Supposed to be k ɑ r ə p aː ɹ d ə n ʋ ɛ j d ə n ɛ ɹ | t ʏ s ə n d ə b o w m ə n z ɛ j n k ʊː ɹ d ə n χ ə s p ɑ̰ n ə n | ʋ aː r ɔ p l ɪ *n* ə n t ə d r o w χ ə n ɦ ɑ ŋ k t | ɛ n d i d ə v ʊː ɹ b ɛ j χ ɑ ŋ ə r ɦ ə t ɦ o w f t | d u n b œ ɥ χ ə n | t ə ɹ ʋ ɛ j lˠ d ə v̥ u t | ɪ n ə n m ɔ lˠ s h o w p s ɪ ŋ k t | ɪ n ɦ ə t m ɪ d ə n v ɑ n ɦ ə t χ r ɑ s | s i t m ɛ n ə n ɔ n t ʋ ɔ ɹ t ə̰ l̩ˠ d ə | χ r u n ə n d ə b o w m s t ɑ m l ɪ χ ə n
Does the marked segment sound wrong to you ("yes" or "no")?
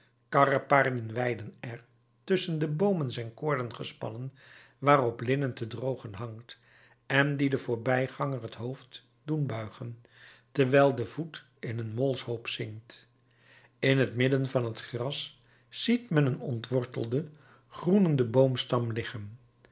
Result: no